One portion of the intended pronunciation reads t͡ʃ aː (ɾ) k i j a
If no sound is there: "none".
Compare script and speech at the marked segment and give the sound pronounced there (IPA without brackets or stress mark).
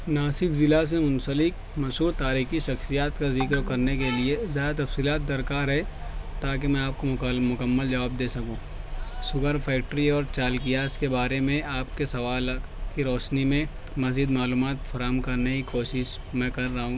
l